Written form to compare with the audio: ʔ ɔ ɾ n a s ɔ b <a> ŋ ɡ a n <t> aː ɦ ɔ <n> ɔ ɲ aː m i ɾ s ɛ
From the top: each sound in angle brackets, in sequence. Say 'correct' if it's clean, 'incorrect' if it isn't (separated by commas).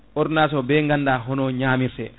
incorrect, incorrect, correct